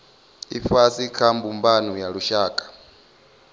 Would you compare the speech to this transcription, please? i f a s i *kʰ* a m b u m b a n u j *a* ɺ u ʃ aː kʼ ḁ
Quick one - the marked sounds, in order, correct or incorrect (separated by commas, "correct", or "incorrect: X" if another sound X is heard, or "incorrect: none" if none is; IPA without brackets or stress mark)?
correct, correct